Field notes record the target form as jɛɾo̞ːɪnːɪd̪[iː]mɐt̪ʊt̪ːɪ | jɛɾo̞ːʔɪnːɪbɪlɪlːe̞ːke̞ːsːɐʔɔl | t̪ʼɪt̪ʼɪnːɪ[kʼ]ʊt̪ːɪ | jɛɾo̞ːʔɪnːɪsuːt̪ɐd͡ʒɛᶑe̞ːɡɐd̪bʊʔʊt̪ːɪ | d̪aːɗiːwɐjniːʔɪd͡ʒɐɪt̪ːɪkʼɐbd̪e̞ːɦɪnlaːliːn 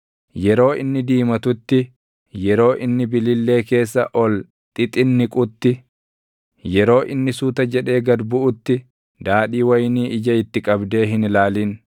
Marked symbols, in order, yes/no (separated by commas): yes, yes